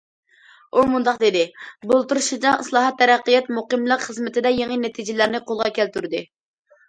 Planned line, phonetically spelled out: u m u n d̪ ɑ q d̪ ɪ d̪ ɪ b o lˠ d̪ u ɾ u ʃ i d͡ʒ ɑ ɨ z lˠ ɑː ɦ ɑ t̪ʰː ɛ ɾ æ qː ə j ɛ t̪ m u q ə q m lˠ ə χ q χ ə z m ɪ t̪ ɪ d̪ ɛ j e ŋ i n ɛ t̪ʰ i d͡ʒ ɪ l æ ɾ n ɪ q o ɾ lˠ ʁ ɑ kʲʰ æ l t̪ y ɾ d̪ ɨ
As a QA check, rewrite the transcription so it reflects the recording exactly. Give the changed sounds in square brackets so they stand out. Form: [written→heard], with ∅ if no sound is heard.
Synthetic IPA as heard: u m u n d̪ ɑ q d̪ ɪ d̪ ɪ b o lˠ [d̪→t̪] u ɾ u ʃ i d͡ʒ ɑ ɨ [z→s] lˠ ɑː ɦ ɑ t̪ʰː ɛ ɾ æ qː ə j ɛ t̪ m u q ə [q→∅] m lˠ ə [χ→∅] q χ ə z m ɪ t̪ ɪ d̪ ɛ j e ŋ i n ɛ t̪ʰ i d͡ʒ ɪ l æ ɾ n ɪ q o [ɾ→∅] lˠ ʁ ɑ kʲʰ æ l t̪ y ɾ d̪ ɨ